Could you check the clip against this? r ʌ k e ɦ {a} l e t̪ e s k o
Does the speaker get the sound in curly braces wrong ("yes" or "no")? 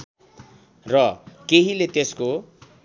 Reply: yes